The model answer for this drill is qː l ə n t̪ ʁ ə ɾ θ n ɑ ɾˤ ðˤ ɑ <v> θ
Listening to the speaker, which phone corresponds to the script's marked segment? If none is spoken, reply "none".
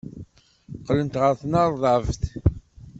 v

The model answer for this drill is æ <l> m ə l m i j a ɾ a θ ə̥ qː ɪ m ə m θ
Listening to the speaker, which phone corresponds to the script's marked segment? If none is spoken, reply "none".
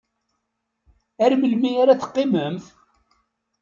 ɾ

